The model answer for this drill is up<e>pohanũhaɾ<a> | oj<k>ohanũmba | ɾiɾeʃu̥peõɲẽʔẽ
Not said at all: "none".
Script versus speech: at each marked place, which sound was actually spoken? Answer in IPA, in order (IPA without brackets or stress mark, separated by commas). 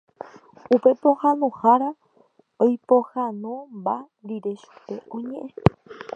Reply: e, a, p